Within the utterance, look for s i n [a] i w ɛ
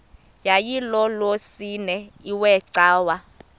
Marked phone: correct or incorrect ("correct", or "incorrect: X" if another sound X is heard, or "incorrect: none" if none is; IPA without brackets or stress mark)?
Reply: incorrect: ɛ